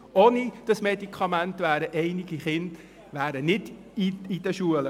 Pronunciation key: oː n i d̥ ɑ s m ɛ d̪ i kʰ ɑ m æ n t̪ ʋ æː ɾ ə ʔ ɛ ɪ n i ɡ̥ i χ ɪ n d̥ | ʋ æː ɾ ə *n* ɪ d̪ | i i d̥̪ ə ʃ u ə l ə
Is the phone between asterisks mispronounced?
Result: no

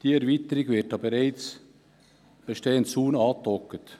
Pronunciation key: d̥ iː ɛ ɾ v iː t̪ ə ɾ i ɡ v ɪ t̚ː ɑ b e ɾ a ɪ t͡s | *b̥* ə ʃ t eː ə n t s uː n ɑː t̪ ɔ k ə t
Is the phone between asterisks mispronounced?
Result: no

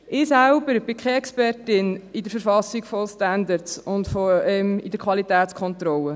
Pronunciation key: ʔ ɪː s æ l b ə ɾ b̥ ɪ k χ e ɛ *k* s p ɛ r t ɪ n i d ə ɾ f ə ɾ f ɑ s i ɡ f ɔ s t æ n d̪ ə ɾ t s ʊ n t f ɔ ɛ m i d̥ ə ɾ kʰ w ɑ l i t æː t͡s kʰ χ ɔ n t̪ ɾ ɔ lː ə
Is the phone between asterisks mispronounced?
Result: no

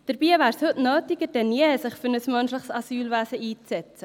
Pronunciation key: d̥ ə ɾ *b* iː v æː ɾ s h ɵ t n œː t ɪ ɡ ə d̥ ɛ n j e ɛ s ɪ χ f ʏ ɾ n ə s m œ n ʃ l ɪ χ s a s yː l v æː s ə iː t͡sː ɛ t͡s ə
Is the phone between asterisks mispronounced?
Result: no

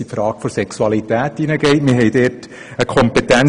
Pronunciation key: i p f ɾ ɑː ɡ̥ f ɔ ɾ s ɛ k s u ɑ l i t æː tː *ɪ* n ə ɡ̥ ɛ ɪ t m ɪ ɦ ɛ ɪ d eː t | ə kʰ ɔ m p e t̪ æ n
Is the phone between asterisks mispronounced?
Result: yes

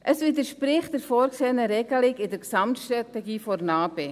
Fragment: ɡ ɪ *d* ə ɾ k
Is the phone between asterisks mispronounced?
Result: no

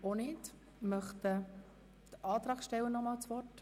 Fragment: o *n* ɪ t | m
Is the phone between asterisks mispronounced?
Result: no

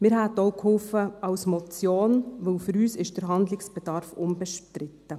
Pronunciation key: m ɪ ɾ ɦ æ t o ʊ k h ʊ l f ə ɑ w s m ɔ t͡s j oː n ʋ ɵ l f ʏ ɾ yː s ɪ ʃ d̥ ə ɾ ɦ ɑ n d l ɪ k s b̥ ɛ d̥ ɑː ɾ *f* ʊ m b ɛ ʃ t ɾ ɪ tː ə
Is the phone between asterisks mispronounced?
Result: no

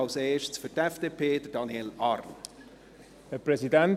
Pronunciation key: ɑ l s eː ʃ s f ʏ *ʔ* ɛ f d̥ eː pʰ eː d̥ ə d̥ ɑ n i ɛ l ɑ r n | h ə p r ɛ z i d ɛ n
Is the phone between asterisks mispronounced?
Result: yes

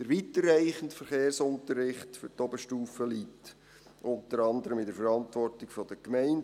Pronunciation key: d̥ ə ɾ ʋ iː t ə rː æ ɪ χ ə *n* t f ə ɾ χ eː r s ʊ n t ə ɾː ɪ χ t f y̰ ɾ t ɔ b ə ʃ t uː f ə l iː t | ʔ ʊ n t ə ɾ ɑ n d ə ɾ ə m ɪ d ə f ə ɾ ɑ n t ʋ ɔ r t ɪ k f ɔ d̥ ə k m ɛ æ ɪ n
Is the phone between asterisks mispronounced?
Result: no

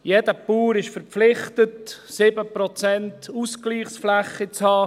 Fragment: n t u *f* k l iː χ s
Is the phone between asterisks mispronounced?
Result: yes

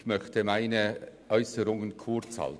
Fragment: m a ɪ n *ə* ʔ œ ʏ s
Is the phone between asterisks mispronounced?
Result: no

